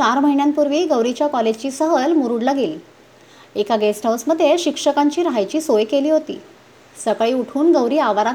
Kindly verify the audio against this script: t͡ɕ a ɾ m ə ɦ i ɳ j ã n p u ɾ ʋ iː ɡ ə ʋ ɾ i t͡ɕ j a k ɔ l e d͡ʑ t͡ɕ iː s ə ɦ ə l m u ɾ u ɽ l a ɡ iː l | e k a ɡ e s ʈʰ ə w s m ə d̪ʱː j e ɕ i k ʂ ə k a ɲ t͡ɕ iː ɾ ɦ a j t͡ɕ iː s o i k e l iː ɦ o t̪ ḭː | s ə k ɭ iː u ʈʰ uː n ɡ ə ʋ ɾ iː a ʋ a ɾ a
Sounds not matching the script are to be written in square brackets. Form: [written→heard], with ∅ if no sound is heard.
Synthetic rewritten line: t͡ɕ a ɾ m ə ɦ i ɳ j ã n p u ɾ ʋ iː ɡ ə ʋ ɾ i t͡ɕ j a k ɔ l e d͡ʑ t͡ɕ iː s ə ɦ ə l m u ɾ u ɽ l a ɡ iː l | e k a ɡ e s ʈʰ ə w s m ə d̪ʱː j e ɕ i k ʂ ə k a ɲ t͡ɕ iː ɾ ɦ a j t͡ɕ iː s o [i→j] k e l iː ɦ o t̪ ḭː | s ə k ɭ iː u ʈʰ uː n ɡ ə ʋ ɾ iː a ʋ a ɾ a